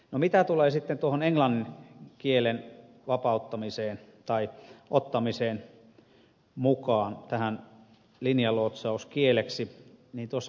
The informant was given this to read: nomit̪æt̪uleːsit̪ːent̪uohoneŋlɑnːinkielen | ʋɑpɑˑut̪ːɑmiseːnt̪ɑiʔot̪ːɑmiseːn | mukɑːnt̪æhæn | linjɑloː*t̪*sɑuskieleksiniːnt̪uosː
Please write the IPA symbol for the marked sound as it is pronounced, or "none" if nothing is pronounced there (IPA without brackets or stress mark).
t̪